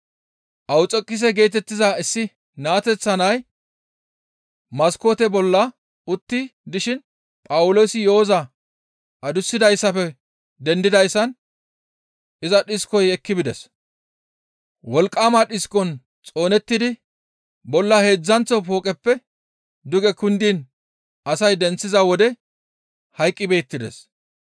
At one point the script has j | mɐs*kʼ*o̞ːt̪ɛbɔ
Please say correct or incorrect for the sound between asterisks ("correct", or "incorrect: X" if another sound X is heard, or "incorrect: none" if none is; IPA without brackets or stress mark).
incorrect: k